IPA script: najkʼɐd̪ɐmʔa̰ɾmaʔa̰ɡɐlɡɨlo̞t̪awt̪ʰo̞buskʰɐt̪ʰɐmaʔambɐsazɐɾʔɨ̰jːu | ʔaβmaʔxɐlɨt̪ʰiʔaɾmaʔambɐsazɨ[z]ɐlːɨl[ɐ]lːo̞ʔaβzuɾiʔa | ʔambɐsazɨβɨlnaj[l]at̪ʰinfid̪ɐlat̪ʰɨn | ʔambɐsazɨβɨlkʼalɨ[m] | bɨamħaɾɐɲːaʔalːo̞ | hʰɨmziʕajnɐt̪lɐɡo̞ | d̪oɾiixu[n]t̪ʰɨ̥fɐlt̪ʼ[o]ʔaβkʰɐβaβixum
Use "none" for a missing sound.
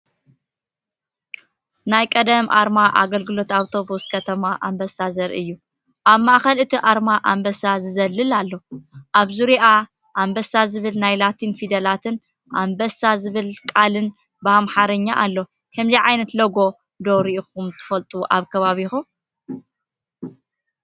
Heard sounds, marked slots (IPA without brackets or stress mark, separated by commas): z, a, l, n, m, u